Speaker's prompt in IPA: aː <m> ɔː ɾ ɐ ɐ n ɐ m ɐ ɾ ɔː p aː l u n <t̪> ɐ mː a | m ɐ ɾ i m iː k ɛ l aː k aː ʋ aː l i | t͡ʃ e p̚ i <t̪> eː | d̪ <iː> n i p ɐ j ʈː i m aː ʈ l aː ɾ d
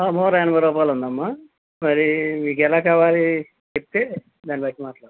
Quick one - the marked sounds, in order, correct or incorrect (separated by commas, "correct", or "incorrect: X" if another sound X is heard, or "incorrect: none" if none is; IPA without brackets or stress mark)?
correct, incorrect: d̪, correct, incorrect: aː